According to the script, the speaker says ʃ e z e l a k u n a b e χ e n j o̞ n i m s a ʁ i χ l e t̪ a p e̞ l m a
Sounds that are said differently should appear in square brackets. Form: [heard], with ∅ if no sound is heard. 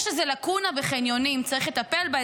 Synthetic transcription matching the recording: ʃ e z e l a k u n a [v] e χ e n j o̞ n i m [t͡s] a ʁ i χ l e t̪ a p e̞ l [b] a